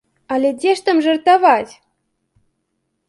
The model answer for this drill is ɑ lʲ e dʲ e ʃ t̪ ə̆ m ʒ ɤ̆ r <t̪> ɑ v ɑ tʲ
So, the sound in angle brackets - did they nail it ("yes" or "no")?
yes